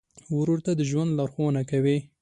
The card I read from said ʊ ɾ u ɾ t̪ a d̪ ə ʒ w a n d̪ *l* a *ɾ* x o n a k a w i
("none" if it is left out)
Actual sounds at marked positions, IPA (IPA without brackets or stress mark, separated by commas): l, ɾ